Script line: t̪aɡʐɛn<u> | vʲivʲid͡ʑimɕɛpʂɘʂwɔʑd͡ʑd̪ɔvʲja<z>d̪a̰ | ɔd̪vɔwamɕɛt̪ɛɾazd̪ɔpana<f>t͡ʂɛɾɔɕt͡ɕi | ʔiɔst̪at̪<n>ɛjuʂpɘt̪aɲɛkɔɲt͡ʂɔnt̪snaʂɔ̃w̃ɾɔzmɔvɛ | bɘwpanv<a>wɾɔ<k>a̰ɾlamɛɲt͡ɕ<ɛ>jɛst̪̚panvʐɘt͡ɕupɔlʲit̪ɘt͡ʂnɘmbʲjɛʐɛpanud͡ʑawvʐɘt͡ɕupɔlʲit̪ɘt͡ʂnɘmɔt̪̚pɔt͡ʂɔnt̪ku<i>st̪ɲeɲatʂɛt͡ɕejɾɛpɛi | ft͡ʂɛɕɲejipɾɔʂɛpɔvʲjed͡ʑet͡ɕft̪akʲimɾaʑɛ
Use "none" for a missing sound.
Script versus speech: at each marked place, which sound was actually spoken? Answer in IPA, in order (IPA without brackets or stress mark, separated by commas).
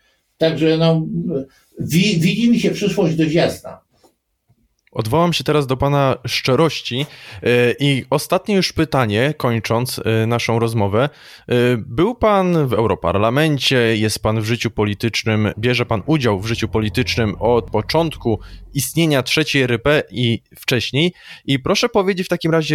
ɔ, z, ʂ, ɲ, ɛ, p, ɛ, i